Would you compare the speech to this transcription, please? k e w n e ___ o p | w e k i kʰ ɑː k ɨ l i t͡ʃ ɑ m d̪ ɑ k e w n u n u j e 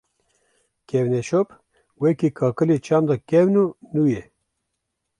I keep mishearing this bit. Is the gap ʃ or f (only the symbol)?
ʃ